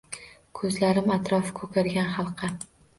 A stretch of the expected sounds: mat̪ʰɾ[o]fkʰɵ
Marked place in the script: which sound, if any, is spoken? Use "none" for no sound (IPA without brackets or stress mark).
ɒ